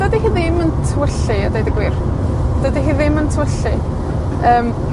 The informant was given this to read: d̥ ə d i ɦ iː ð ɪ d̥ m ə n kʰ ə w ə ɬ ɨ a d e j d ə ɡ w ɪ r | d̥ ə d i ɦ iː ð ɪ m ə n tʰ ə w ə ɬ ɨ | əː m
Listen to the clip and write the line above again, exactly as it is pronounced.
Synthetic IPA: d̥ ə d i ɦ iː ð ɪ m ə n tʰ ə w ə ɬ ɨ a d e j d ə ɡ w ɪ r | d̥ ə d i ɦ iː ð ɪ m ə n tʰ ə w ə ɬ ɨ | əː m